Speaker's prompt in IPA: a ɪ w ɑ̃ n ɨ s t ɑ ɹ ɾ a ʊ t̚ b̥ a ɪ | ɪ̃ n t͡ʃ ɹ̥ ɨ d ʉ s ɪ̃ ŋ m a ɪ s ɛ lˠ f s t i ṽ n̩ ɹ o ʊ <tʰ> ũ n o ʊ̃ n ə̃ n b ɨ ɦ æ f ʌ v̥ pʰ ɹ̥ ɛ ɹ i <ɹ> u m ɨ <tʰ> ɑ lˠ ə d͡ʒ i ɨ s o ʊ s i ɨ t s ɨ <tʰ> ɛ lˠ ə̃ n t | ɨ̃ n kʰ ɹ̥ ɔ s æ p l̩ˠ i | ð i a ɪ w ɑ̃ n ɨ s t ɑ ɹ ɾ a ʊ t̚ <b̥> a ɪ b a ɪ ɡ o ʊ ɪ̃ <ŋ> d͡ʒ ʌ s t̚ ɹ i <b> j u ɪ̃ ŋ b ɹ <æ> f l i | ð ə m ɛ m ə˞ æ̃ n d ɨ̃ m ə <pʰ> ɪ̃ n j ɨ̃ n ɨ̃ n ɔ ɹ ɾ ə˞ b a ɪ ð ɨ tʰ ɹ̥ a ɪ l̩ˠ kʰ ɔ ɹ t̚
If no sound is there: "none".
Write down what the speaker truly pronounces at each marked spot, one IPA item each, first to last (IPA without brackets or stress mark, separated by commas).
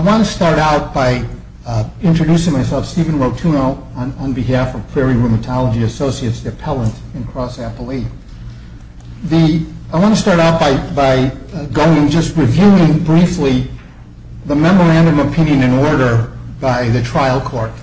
tʰ, ɹ, tʰ, pʰ, b̥, ŋ, v, i, pʰ